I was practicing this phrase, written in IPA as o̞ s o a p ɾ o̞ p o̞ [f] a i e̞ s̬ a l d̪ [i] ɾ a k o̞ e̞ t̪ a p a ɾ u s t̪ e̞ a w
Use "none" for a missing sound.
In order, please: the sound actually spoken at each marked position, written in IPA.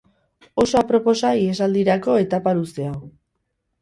s, i

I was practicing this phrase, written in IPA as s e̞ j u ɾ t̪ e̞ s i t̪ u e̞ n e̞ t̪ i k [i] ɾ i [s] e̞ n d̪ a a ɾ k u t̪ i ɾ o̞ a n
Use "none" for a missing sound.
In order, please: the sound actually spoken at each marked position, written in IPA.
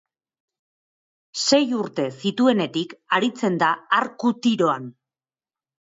a, t͡s

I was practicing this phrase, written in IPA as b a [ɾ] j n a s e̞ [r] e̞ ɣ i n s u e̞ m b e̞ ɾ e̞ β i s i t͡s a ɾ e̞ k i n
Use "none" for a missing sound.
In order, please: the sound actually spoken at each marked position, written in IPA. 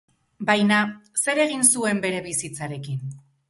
none, ɾ

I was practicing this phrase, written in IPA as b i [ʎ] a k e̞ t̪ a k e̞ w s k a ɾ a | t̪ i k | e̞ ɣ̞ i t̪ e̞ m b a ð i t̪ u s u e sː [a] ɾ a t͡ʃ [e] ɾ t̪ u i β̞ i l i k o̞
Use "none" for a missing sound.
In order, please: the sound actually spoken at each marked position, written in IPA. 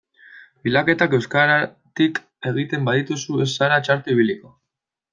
l, a, a

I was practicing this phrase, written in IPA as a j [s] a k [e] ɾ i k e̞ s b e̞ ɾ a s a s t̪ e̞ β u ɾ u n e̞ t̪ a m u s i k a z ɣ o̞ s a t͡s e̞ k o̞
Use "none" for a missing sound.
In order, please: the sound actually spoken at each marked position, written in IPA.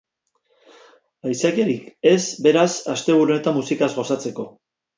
s, e

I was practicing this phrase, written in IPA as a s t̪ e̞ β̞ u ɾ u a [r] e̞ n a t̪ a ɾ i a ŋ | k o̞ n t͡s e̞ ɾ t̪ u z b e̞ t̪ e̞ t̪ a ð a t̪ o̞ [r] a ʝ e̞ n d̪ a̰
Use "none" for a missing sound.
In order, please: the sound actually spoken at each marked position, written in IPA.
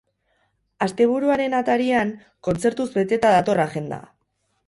ɾ, r

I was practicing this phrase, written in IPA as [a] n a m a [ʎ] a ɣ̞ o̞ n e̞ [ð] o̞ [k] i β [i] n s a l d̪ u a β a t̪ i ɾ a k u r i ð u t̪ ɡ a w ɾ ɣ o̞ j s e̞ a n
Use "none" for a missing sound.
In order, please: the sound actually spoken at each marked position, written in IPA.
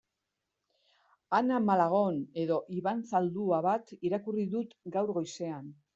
a, l, ð, ʔ, a

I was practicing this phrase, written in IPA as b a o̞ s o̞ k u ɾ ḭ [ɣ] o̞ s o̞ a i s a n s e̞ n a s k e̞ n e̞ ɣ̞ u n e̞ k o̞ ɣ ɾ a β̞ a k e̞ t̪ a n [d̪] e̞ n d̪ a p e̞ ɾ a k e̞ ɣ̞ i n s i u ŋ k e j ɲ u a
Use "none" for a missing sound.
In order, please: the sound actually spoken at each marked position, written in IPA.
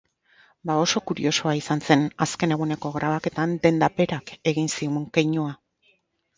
none, d̪

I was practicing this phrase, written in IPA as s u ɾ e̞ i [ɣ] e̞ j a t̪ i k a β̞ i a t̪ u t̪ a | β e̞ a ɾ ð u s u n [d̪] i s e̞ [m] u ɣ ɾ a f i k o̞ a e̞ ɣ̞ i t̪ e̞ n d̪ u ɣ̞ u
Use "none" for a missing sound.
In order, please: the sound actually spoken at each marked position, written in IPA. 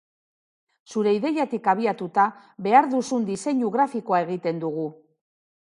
ð, d̪, ɲ

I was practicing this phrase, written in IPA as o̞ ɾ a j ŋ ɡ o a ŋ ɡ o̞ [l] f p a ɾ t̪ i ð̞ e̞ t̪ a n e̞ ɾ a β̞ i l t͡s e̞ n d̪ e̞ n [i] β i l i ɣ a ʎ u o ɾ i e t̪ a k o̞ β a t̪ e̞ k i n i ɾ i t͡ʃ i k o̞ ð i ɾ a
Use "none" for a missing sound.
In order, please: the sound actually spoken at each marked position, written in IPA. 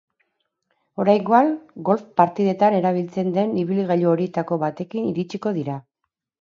l, i

